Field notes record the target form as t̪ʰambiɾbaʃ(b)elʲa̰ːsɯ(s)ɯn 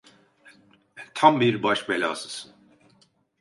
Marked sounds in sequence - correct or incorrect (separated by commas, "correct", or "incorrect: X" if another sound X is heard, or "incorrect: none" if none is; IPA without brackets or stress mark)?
correct, correct